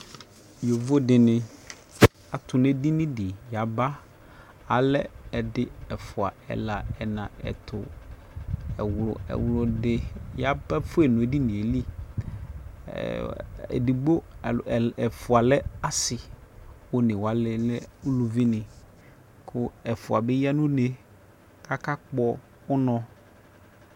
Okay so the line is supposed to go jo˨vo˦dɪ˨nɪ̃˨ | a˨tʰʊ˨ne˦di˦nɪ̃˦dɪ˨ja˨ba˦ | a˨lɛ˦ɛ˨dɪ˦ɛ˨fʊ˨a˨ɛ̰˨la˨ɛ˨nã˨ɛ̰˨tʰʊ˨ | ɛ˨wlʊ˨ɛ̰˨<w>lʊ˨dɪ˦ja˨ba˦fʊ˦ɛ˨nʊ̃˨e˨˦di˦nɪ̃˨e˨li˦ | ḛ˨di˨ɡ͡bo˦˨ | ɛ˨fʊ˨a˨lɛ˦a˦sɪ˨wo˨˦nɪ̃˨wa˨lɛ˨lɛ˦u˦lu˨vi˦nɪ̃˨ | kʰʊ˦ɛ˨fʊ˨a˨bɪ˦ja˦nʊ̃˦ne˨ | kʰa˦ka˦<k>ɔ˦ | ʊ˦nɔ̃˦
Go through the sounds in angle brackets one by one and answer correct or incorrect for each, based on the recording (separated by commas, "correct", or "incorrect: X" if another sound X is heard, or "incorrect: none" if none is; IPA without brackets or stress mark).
correct, incorrect: k͡p